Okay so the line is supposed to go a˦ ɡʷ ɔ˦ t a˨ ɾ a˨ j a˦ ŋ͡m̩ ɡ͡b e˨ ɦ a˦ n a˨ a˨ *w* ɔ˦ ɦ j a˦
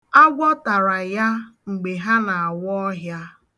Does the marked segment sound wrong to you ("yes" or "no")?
no